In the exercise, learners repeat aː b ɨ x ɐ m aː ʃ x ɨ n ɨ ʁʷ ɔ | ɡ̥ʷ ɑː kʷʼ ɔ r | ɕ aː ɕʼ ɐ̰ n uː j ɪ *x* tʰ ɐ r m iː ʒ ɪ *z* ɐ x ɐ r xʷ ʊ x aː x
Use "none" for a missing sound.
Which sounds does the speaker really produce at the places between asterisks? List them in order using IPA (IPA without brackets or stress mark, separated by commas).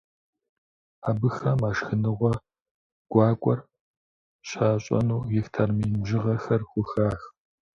x, ʁ